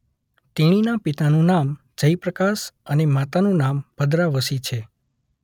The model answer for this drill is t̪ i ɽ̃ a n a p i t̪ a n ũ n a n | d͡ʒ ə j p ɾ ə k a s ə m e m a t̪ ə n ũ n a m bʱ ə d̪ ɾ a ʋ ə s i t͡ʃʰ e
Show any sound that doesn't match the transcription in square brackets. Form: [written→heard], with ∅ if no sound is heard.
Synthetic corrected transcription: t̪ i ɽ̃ [a→i] n a p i t̪ a n ũ n a [n→m] | d͡ʒ ə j p ɾ ə k a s ə [m→n] e m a t̪ [ə→a] n ũ n a m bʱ ə d̪ ɾ a ʋ ə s i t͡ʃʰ e